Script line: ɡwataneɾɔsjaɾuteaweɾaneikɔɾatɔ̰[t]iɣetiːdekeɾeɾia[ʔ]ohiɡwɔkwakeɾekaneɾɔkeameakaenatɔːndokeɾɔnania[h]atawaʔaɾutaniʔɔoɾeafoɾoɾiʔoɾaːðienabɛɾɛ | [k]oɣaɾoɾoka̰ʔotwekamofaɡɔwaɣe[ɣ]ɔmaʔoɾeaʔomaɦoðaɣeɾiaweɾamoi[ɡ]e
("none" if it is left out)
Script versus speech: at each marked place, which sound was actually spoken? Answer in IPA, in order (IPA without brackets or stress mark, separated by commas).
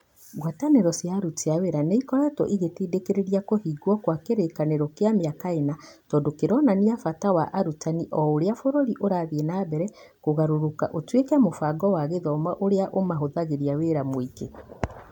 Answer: ʔ, k, f, k, ð, k